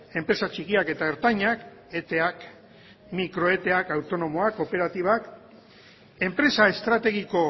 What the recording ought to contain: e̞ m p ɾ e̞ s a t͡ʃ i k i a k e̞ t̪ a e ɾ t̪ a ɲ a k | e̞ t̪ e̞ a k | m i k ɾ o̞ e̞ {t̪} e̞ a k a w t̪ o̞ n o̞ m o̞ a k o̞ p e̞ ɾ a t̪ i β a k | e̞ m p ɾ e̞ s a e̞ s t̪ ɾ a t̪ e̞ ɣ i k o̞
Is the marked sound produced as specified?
yes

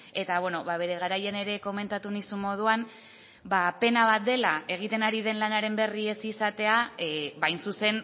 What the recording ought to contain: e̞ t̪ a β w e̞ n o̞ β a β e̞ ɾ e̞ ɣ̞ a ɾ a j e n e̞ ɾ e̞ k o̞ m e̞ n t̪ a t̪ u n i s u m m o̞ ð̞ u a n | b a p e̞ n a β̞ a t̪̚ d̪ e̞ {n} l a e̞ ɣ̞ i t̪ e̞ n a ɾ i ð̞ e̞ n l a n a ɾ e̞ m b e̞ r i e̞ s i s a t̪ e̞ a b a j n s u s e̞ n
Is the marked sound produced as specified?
no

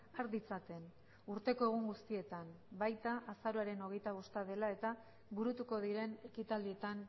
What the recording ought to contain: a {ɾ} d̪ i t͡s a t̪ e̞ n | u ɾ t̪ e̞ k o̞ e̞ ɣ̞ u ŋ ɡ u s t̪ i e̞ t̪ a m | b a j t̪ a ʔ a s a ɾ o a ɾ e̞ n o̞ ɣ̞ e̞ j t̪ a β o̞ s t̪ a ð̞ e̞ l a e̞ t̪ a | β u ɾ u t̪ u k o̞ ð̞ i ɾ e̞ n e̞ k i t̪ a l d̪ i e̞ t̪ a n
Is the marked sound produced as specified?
yes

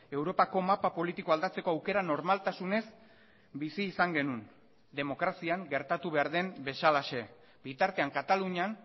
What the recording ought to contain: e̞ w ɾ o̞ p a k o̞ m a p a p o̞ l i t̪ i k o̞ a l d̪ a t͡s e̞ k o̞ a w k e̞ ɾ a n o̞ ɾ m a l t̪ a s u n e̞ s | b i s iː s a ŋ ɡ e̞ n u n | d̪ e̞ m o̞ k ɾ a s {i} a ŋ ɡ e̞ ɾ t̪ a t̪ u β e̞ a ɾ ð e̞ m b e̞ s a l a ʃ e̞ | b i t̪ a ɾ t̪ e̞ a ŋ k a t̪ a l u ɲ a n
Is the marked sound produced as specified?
yes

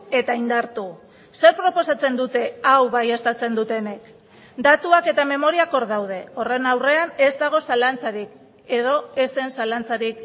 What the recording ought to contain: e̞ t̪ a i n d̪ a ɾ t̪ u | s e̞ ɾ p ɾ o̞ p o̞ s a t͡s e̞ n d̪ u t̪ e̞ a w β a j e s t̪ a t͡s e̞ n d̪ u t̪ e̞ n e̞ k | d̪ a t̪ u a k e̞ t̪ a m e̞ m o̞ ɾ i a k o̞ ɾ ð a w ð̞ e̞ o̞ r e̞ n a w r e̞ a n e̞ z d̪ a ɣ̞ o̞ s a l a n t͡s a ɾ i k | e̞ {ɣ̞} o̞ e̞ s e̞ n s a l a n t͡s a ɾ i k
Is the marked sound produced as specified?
no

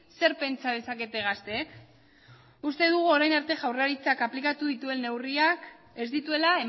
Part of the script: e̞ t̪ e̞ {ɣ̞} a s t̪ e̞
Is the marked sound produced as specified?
yes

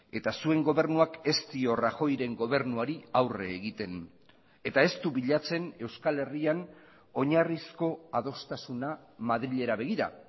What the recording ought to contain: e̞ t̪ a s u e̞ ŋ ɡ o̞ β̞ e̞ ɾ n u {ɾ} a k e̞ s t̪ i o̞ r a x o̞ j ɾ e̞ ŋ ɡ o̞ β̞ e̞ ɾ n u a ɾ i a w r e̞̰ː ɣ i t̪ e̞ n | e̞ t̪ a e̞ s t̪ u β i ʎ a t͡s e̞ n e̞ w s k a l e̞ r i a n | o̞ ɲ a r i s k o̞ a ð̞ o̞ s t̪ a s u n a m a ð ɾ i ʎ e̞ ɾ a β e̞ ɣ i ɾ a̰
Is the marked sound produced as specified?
no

